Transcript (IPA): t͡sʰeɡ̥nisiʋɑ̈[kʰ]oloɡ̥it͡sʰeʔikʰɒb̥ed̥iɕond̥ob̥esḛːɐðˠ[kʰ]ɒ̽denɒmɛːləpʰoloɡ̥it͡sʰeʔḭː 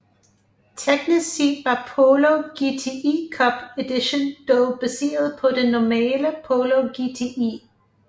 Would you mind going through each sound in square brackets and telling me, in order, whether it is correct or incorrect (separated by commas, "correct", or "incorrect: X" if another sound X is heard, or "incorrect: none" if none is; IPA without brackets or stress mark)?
incorrect: pʰ, incorrect: pʰ